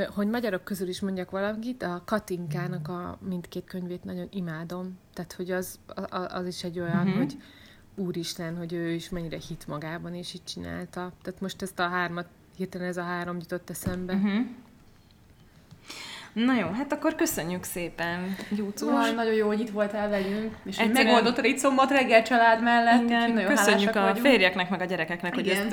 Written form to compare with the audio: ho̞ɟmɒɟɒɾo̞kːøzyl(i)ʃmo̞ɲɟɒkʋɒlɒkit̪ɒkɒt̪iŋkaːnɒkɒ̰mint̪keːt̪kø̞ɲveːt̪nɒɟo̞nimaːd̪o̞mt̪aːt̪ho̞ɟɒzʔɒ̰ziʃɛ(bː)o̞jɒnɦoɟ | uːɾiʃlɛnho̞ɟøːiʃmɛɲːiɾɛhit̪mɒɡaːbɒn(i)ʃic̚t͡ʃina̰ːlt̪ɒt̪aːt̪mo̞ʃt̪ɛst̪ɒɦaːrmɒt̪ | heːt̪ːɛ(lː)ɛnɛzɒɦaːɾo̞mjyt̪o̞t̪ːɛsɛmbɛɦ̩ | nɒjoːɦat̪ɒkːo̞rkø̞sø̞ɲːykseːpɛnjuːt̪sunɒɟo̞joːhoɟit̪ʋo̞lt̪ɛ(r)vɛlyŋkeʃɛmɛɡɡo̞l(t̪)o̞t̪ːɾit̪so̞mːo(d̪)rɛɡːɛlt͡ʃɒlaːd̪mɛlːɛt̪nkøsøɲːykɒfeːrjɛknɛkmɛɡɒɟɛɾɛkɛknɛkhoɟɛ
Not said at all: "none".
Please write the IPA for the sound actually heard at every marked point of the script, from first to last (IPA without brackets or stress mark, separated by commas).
i, ɟː, i, l, l, d̪, t̪